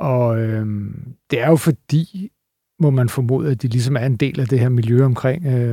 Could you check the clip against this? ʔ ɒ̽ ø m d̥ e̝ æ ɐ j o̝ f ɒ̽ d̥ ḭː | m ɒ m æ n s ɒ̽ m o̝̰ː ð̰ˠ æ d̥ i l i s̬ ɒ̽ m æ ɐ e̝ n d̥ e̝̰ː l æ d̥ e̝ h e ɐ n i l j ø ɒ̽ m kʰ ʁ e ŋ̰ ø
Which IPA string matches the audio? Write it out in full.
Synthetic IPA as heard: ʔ ɒ̽ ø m d̥ e̝ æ ɐ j o̝ f ɒ̽ d̥ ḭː | m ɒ m æ n f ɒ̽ m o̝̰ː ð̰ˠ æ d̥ i l i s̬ ɒ̽ m æ ɐ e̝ n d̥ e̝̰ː l æ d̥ e̝ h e ɐ m i l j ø ɒ̽ m kʰ ʁ e ŋ̰ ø